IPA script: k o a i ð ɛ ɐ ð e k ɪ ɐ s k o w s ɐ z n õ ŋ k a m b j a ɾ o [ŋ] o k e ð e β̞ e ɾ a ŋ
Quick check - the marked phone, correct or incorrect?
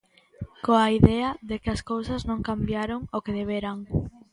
correct